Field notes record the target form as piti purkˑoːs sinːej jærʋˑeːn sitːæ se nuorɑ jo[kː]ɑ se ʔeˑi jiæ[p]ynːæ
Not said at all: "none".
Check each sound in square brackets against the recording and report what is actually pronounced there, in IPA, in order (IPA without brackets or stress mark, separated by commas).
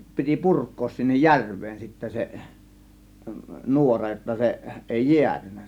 tː, t